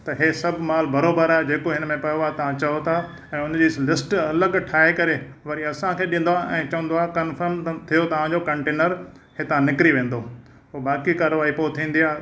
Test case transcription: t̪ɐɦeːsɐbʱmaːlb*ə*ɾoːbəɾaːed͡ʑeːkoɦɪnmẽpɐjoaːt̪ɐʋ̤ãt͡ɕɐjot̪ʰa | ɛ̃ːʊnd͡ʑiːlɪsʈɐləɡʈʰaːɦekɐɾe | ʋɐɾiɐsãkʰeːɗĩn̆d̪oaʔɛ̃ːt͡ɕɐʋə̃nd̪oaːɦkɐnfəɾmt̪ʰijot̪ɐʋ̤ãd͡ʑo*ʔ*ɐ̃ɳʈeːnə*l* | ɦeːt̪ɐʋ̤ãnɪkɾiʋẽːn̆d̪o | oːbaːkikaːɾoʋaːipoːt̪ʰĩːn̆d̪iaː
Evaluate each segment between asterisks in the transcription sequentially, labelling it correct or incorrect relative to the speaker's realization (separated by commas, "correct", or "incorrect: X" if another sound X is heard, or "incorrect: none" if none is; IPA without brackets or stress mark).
incorrect: ɐ, incorrect: k, incorrect: ɾ